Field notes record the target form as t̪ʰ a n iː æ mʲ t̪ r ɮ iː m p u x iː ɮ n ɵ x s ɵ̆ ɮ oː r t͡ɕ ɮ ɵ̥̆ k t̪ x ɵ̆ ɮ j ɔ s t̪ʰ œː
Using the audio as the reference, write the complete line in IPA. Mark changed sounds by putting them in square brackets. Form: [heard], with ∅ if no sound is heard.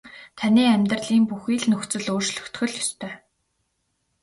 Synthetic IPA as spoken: t̪ʰ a n iː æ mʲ t̪ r ɮ iː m p u x iː ɮ n ɵ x [t͡s] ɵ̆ ɮ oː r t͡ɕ ɮ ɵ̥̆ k t̪ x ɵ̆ ɮ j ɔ s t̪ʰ œː